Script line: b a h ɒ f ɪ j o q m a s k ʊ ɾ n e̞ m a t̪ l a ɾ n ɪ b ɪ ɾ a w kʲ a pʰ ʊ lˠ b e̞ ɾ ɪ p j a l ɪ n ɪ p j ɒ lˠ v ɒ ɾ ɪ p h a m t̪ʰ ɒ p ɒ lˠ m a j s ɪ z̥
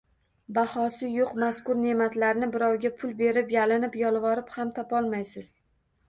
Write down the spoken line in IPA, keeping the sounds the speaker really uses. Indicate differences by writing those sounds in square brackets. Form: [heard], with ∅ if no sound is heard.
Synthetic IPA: b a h ɒ [s] ɪ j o q m a s k ʊ ɾ n e̞ m a t̪ l a ɾ n ɪ b ɪ ɾ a w [ɡʲ] a pʰ ʊ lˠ b e̞ ɾ ɪ p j a l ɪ n ɪ p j ɒ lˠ v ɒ ɾ ɪ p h a m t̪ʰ ɒ p ɒ lˠ m a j s ɪ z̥